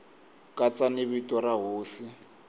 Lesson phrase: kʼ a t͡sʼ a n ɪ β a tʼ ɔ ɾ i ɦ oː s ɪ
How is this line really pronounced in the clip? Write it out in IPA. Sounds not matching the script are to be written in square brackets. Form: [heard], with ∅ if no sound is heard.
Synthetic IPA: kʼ a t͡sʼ a n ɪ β [i] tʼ ɔ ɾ [a] ɦ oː s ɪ